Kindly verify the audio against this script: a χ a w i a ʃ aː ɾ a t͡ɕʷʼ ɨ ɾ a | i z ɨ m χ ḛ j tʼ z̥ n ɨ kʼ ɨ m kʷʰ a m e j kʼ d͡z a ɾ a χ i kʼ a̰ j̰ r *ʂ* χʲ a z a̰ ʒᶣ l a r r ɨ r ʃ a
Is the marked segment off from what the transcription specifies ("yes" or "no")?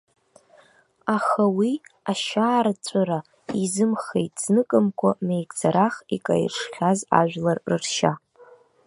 no